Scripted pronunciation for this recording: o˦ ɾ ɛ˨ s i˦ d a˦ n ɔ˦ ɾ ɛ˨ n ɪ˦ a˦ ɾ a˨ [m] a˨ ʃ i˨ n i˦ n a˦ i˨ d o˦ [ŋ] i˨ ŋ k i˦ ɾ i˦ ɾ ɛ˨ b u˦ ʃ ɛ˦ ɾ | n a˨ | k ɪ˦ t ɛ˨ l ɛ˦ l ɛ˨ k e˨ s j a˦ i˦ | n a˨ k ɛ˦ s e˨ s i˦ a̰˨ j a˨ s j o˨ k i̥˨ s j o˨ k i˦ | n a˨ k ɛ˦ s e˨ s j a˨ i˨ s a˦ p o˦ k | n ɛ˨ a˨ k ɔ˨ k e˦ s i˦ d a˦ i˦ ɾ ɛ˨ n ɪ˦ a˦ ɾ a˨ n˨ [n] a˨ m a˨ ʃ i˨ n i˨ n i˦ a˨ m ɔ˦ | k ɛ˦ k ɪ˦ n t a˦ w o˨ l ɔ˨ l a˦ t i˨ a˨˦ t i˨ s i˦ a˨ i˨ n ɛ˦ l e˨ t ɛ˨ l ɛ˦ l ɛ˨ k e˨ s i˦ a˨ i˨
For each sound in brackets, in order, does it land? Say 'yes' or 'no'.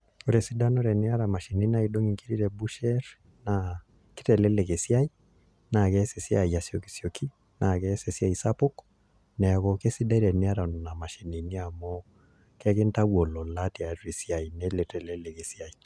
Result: yes, yes, yes

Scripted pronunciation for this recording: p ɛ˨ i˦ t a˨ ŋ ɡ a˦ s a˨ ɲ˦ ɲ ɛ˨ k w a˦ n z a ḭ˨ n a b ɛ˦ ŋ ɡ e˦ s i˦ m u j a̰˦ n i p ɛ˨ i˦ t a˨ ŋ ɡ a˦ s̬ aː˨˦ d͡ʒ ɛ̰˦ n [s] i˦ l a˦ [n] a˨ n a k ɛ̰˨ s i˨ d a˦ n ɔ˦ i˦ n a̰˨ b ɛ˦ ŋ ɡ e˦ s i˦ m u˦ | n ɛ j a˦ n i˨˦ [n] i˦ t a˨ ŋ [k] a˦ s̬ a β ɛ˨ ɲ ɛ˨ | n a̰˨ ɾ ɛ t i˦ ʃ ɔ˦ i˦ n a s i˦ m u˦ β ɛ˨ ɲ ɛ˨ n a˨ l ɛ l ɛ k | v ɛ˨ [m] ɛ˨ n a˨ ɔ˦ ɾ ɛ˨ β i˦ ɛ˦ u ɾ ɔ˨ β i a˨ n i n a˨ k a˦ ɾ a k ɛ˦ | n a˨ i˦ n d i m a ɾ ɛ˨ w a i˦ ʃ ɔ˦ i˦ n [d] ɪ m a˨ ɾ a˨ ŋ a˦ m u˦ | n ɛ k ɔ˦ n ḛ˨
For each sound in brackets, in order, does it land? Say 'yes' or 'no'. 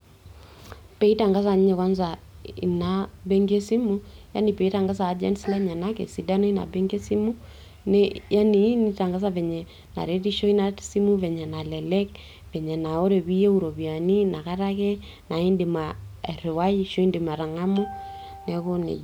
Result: yes, no, yes, no, no, yes

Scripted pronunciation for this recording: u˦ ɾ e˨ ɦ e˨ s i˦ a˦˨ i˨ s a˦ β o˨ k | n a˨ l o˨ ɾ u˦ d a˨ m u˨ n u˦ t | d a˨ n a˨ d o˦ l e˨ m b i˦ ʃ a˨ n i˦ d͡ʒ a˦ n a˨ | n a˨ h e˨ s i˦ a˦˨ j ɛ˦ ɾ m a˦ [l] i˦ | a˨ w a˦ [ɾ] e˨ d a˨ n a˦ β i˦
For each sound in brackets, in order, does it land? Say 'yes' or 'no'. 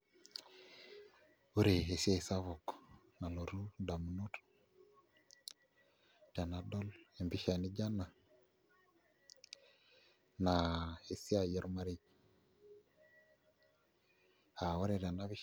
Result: no, yes

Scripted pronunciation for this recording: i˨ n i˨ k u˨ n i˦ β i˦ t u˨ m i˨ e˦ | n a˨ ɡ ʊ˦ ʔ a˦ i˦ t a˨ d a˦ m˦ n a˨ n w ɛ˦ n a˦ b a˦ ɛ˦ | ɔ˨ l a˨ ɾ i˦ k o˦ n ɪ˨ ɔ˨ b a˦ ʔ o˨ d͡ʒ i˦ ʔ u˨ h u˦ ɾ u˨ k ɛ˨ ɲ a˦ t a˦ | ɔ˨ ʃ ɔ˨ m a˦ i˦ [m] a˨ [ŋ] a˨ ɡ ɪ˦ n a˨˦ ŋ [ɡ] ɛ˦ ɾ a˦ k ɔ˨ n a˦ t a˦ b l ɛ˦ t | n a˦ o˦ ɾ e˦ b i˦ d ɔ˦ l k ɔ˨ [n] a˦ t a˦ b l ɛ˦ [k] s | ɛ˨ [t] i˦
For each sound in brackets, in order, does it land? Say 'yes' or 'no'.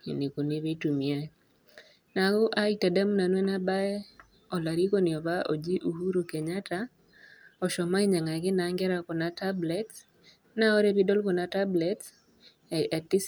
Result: no, yes, yes, yes, no, yes

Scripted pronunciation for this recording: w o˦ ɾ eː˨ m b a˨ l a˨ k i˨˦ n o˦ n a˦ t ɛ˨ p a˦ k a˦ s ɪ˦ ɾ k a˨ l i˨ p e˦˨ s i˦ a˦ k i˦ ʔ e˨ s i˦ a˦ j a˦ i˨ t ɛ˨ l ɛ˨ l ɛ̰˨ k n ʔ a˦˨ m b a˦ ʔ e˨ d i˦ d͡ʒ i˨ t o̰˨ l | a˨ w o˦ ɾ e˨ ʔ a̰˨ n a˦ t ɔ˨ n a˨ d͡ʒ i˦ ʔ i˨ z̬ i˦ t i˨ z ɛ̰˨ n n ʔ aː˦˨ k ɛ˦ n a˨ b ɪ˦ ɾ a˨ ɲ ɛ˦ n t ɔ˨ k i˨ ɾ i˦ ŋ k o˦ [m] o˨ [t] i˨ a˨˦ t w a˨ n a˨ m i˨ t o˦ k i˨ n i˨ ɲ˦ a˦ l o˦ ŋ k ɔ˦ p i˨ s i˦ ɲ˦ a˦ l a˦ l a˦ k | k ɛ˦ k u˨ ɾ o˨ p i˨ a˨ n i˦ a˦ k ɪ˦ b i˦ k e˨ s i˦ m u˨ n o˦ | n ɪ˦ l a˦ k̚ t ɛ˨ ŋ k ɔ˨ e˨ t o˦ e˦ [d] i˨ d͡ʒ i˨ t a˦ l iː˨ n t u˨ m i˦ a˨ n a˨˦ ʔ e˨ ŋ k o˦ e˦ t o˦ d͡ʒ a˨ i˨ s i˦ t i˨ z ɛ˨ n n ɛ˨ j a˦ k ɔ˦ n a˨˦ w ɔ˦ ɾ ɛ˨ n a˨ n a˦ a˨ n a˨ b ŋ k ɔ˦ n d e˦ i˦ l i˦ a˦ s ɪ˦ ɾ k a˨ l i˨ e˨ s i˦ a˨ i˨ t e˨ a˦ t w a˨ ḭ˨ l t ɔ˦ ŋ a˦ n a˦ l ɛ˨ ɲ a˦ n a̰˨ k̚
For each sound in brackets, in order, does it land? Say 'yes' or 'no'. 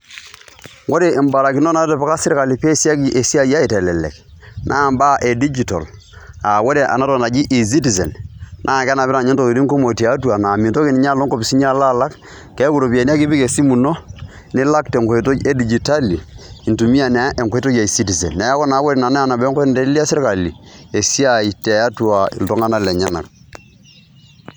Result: yes, yes, yes

